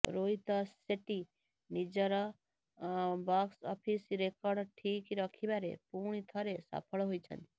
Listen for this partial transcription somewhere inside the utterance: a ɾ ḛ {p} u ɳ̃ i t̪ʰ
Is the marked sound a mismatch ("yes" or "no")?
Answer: no